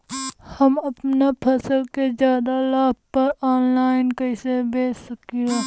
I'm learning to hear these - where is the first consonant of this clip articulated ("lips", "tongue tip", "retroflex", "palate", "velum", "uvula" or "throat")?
throat